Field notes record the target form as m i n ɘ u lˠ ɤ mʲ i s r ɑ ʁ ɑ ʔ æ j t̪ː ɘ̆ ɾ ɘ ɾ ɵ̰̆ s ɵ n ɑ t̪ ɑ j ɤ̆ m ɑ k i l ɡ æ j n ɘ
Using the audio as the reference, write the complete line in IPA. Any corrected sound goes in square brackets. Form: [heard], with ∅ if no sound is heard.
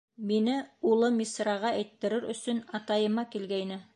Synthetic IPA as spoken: m i n ɘ u lˠ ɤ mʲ i s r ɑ ʁ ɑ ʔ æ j t̪ː ɘ̆ ɾ ɘ ɾ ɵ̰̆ s ɵ n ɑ t̪ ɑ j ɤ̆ m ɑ k i l ɡ æ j n ɘ